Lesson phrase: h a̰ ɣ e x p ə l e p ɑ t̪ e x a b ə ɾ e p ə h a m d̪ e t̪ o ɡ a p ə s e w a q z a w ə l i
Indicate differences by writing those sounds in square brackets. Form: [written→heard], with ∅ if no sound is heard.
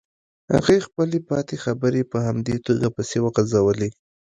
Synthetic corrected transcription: h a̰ ɣ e x p ə l e p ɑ t̪ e x a b ə ɾ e p ə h a m d̪ e t̪ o ɡ a p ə s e w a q z a w ə l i